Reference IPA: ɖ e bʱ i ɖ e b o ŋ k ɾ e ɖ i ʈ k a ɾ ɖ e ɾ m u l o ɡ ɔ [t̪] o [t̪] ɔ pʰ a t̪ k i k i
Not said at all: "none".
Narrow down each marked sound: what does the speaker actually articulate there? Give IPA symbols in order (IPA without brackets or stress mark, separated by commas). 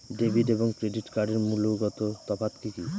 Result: t̪, t̪